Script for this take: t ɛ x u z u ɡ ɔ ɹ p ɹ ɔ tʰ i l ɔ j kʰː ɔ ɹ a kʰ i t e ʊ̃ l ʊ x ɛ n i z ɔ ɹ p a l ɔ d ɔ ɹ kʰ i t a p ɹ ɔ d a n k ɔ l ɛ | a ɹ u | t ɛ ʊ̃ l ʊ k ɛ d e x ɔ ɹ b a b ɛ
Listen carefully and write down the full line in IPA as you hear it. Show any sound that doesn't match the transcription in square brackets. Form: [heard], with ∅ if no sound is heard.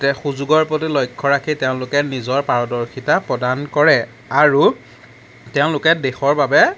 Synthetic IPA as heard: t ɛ x u z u ɡ ɔ ɹ p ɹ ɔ [t] i l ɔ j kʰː ɔ ɹ a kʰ i t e ʊ̃ l ʊ [k] ɛ n i z ɔ ɹ p a [ɹ] ɔ d ɔ ɹ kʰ i t a p ɹ ɔ d a n k ɔ [ɹ] ɛ | a ɹ u | t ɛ ʊ̃ l ʊ k ɛ d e x ɔ ɹ b a b ɛ